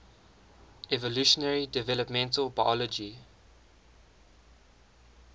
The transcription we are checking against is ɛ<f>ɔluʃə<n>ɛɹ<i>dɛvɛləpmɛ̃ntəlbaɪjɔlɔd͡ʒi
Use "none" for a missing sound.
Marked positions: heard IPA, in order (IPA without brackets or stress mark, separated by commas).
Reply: v, n, i